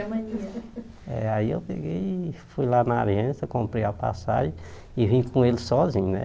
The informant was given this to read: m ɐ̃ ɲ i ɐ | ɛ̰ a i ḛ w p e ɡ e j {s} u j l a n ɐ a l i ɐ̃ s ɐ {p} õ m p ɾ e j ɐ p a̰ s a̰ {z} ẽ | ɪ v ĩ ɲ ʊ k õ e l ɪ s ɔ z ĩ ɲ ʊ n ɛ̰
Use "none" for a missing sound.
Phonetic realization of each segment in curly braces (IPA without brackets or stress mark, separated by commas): f, k, ʒ